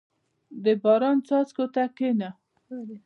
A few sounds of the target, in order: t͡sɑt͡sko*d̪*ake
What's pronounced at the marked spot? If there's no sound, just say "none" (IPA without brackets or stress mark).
t̪